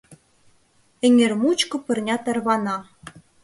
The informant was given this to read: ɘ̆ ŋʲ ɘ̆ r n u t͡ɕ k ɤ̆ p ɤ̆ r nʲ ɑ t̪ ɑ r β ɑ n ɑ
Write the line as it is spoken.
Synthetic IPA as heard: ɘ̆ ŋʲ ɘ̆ r m u t͡ɕ k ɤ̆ p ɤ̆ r nʲ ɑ t̪ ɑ r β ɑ n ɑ